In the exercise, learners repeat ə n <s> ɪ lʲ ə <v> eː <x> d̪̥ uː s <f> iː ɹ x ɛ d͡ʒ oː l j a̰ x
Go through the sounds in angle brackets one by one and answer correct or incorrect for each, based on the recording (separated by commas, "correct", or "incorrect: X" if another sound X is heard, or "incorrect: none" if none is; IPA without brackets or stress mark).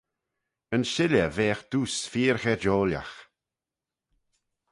incorrect: ʃ, correct, correct, correct